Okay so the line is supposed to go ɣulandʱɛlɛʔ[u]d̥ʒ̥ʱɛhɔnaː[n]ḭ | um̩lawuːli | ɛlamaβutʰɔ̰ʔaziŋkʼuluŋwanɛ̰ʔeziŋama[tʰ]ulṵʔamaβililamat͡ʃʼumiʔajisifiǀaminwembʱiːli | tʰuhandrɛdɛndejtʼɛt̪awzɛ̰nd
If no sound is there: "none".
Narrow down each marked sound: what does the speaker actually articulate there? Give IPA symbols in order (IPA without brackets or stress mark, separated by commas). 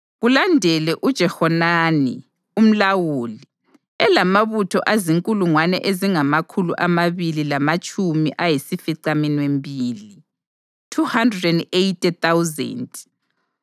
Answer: u, n, kʰ